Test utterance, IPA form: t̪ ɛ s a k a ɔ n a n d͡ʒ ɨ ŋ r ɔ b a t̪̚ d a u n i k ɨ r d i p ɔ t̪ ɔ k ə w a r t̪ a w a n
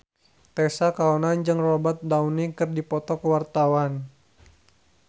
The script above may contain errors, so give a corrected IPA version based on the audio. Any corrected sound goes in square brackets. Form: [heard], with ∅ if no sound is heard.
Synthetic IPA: t̪ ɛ s a k a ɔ n a n d͡ʒ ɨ ŋ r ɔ b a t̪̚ d a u n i k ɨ r d i p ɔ t̪ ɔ k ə w a r t̪ a w a n